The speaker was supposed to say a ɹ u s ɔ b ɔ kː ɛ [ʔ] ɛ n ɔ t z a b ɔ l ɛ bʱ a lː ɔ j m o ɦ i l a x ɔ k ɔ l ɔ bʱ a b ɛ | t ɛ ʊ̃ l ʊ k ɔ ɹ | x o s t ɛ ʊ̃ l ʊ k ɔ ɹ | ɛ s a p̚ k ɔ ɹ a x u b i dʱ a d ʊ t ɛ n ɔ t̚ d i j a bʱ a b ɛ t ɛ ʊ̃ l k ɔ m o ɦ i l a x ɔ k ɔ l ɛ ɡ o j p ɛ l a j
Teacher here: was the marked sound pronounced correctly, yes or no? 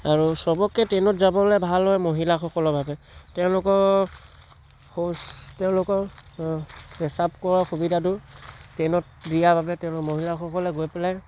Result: no